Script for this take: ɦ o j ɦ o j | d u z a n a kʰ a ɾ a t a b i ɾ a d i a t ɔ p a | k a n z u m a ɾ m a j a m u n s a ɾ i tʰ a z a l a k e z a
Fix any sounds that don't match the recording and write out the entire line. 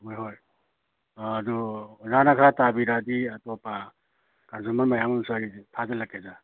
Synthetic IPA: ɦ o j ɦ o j | d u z a n a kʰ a ɾ a t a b i ɾ a d i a t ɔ p a | k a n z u m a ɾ m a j a m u n s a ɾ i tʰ a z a l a k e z a